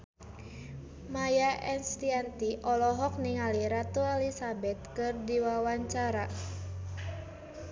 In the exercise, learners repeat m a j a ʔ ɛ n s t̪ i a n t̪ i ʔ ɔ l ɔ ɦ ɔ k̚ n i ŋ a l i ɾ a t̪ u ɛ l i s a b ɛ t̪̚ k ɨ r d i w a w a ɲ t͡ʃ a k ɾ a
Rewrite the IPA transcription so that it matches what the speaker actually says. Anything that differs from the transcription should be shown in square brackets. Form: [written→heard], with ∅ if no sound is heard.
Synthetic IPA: m a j a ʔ ɛ n s t̪ i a n t̪ i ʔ ɔ l ɔ ɦ ɔ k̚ n i ŋ a l i ɾ a t̪ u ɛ l i s a b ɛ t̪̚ k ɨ r d i w a w a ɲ t͡ʃ a [k→∅] ɾ a